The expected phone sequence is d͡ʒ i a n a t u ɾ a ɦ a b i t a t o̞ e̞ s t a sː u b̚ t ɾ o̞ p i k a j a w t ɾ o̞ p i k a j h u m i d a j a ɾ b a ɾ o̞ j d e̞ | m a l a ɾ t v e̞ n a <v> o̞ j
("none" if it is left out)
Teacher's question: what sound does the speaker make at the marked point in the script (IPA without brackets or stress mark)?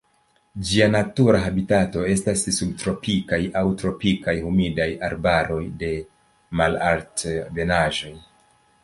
ʒ